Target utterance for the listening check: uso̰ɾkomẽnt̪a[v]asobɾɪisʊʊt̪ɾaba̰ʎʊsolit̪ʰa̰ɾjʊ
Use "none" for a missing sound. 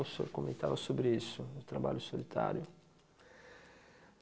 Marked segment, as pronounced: v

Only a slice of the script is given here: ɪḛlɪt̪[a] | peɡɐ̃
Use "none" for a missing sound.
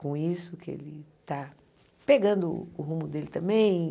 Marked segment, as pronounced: a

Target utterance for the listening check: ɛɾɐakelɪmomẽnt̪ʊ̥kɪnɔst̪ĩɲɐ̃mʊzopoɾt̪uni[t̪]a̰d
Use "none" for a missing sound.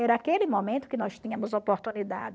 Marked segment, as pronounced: d̪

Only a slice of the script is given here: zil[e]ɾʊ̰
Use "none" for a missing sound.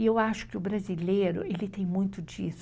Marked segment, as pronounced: e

